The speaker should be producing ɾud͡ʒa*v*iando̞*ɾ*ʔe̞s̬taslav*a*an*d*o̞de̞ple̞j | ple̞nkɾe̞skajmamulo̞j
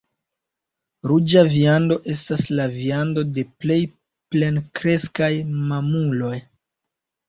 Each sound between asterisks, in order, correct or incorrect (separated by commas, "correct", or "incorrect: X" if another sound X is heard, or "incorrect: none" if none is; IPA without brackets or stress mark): correct, incorrect: none, incorrect: i, correct